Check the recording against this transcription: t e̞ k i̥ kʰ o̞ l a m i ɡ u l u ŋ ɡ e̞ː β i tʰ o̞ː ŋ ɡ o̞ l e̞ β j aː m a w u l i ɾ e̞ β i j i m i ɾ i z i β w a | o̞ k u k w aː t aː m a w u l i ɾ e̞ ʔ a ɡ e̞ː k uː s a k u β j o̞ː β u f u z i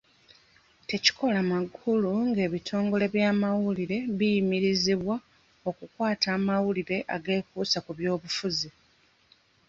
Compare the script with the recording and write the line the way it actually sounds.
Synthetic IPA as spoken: t e̞ c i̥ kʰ o̞ l a m a ɡ u l u ŋ ɡ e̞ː β i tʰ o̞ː ŋ ɡ o̞ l e̞ β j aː m a w u l i ɾ e̞ β i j i m i ɾ i z i β w a | o̞ k u k w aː t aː m a w u l i ɾ e̞ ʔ a ɡ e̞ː k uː s a k u β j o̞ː β u f u z i